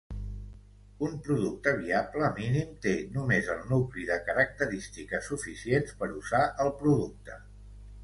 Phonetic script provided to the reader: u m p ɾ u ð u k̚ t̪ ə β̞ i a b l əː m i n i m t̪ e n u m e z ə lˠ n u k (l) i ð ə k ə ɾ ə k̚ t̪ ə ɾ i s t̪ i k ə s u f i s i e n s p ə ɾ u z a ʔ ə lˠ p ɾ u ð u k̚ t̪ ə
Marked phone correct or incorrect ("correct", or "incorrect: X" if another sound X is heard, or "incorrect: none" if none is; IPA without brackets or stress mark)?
correct